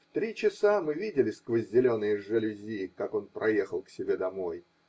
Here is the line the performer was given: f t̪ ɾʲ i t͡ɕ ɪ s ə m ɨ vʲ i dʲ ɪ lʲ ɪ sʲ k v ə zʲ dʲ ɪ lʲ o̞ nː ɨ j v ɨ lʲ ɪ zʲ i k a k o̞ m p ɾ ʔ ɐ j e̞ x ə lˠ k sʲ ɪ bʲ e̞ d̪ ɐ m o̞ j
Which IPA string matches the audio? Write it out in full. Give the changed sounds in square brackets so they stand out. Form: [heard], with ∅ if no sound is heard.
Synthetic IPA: f t̪ ɾʲ i t͡ɕ ɪ s [a] m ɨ vʲ i dʲ ɪ lʲ ɪ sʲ k v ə zʲ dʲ ɪ lʲ o̞ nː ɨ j [ʐ] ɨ lʲ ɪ zʲ i k a k o̞ [n] p ɾ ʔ ɐ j e̞ x ə lˠ k sʲ ɪ bʲ e̞ d̪ ɐ m o̞ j